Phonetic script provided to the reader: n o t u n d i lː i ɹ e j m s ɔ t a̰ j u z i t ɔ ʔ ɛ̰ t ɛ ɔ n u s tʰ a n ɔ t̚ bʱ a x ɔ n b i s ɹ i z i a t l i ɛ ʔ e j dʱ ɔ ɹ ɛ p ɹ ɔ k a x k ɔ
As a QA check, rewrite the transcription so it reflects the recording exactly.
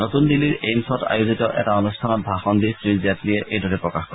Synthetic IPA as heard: n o t u n d i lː i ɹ e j m s ɔ t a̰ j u z i t ɔ ʔ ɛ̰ t a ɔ n u s tʰ a n ɔ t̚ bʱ a x ɔ n d i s ɹ i z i a t l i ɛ ʔ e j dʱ ɔ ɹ ɛ p ɹ ɔ k a x k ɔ